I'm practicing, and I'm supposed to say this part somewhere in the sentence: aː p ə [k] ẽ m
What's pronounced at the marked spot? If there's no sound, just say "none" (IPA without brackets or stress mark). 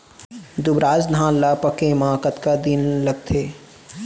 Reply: k